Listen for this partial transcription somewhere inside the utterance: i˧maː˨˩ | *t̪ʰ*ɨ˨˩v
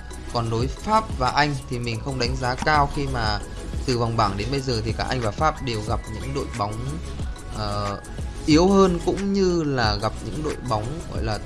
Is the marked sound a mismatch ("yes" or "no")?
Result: yes